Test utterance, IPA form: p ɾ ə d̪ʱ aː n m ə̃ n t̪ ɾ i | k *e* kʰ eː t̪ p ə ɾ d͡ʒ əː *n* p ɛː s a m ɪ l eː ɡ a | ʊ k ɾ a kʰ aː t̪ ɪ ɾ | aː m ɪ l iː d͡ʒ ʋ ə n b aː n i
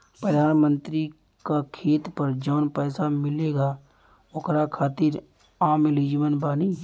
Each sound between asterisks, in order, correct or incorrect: incorrect: a, correct

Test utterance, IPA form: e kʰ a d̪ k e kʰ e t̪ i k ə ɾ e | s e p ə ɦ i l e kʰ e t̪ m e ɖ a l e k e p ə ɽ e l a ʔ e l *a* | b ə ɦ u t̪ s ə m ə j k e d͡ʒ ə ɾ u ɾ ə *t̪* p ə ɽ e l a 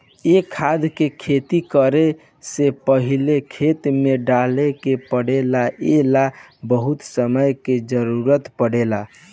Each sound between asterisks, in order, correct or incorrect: correct, correct

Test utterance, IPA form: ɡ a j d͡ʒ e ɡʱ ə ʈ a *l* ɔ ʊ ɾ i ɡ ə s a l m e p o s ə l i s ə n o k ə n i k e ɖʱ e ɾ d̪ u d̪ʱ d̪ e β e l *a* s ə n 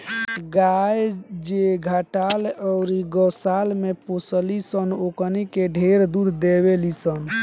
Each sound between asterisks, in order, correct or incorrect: correct, incorrect: i

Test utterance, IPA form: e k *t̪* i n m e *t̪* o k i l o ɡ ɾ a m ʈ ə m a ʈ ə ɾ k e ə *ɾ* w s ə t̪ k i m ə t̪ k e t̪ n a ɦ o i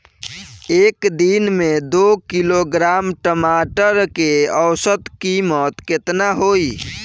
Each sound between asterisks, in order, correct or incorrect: incorrect: d̪, incorrect: d̪, incorrect: none

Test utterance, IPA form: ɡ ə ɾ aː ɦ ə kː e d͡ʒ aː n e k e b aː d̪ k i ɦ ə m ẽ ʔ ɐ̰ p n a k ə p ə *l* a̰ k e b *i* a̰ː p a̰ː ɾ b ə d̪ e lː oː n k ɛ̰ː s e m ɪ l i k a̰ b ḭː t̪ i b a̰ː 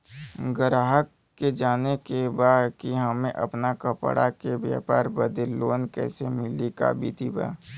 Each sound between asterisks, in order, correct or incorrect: incorrect: ɽ, incorrect: j

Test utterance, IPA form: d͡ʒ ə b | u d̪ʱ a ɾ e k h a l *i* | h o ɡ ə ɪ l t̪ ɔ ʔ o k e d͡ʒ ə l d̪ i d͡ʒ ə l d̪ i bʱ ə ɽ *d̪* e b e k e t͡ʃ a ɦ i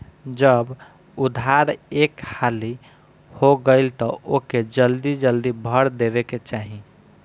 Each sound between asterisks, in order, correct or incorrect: correct, correct

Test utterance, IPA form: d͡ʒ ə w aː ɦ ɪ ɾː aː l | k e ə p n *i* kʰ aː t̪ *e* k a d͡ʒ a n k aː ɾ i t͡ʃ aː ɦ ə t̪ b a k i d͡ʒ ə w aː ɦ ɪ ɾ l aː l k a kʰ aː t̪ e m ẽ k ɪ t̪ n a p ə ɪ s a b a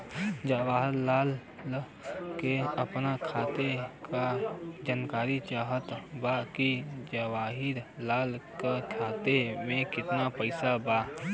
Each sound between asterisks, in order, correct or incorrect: incorrect: a, correct

